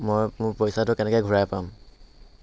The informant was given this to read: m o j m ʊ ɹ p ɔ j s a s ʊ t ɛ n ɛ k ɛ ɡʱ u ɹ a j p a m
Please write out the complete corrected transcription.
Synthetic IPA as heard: m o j m ʊ ɹ p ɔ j s a t ʊ k ɛ n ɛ k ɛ ɡʱ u ɹ a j p a m